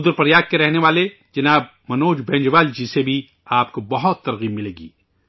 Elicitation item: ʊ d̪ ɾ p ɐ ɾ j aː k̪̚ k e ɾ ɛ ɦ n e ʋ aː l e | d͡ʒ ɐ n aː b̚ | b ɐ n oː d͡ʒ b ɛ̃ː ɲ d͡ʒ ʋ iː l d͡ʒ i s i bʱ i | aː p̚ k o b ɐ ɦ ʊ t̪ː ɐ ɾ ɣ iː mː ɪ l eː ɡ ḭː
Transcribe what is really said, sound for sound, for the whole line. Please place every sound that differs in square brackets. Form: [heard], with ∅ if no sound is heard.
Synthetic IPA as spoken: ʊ d̪ ɾ p ɐ ɾ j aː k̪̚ k e ɾ ɛ ɦ n e ʋ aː l e | d͡ʒ ɐ n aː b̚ | [m] ɐ n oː d͡ʒ b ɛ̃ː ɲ d͡ʒ ʋ [aː] l d͡ʒ i s [e] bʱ i | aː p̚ k o b ɐ ɦ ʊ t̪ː ɐ ɾ ɣ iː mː ɪ l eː ɡ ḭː